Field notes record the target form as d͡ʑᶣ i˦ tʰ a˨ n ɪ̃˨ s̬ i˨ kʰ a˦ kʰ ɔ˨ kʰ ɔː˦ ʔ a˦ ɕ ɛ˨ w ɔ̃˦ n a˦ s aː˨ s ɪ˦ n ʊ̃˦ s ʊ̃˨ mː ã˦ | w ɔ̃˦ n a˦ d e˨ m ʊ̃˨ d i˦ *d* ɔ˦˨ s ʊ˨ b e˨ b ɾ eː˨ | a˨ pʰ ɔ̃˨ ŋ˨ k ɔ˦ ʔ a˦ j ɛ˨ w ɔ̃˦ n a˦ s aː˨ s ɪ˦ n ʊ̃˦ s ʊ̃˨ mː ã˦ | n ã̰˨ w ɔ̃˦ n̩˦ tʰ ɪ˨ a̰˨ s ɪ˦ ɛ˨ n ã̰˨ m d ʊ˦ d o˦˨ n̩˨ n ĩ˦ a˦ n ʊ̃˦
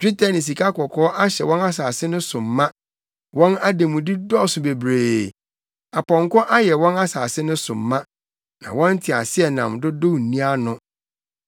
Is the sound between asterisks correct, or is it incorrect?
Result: correct